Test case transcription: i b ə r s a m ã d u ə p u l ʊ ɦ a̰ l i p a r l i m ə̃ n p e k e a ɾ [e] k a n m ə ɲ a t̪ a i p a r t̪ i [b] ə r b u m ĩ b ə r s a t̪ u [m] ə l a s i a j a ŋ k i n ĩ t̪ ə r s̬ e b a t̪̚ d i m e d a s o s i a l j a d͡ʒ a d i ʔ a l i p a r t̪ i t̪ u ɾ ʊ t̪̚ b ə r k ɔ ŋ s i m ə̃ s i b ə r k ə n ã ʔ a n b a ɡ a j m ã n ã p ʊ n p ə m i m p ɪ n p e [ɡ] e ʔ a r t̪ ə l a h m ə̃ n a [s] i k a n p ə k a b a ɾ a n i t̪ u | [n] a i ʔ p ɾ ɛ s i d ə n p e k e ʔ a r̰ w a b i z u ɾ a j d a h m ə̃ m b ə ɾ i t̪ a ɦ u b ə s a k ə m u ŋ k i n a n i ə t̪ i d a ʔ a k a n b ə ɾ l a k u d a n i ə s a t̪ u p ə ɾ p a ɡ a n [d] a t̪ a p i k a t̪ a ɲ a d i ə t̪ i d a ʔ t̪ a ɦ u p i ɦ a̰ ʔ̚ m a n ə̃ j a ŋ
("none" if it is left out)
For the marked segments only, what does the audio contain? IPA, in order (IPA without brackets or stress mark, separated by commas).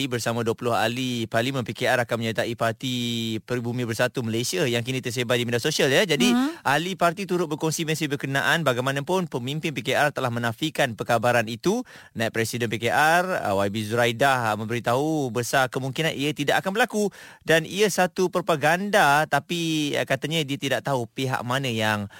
a, p, m, k, f, n, d